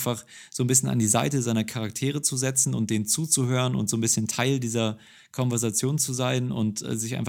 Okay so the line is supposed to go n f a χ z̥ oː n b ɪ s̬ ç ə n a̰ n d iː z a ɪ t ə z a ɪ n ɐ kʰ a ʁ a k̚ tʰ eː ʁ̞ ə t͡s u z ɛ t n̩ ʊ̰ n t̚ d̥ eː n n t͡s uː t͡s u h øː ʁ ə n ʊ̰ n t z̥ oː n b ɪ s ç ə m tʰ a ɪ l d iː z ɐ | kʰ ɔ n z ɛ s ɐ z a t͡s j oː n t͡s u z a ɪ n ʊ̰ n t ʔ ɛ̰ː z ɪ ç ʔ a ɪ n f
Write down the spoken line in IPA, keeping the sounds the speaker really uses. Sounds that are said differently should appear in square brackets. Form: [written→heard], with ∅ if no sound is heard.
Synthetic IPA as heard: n f a χ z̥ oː n b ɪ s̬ ç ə n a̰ n d iː z a ɪ t ə z a ɪ n ɐ kʰ a ʁ a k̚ tʰ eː ʁ̞ ə t͡s u z ɛ [t→t͡s] n̩ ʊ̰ n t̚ d̥ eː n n t͡s uː t͡s u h øː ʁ ə n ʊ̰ n t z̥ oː n b ɪ s ç ə [m→n] tʰ a ɪ l d iː z ɐ | kʰ ɔ n [z→v] ɛ [s→∅] ɐ z a t͡s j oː n t͡s u z a ɪ n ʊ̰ n t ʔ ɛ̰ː z ɪ ç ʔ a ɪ n f